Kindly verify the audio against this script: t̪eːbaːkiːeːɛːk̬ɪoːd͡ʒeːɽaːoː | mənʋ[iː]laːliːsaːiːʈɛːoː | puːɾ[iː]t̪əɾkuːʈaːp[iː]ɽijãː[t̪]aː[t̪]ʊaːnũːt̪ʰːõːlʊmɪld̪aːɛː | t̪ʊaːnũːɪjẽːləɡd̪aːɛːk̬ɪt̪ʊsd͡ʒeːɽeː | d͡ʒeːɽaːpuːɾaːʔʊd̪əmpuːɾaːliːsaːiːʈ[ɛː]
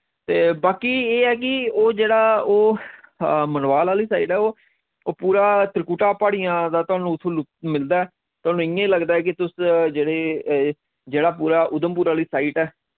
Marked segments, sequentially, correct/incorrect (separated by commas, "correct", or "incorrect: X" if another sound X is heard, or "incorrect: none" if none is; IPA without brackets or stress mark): incorrect: aː, incorrect: aː, incorrect: aː, incorrect: d̪, correct, correct